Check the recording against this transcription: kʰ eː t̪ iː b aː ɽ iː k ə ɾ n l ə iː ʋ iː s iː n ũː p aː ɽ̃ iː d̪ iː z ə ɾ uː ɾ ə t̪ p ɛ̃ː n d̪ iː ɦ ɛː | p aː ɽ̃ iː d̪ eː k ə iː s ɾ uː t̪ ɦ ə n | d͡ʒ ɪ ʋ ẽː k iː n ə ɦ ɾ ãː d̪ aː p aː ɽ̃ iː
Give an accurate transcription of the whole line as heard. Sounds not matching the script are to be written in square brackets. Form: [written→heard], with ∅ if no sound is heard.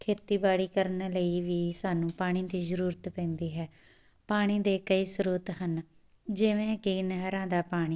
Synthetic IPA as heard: kʰ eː t̪ iː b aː ɽ iː k ə ɾ n l ə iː ʋ iː s [iː→aː] n ũː p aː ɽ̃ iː d̪ iː z ə ɾ uː ɾ ə t̪ p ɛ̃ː n d̪ iː ɦ ɛː | p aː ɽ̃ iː d̪ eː k ə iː s ɾ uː t̪ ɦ ə n | d͡ʒ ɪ ʋ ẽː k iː n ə ɦ ɾ ãː d̪ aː p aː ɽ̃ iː